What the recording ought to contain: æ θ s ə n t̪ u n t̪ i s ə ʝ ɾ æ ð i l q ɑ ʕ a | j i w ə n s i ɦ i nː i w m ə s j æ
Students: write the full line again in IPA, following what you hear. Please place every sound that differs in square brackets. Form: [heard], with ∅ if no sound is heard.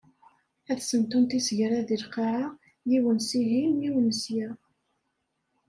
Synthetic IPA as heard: æ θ s ə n t̪ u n t̪ i s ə ʝ ɾ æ ð i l q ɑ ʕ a | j i w ə n s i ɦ i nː i w [n] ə s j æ